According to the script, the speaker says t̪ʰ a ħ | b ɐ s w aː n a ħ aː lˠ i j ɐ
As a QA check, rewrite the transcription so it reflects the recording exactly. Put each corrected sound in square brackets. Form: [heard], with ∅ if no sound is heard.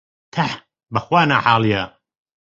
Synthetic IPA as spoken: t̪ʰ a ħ | b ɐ [x] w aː n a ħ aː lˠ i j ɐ